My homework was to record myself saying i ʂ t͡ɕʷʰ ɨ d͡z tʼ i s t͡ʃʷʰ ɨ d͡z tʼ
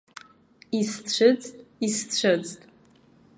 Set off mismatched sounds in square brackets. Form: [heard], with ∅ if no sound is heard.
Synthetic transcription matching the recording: i [s] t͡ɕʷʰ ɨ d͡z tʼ i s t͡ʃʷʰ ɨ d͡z tʼ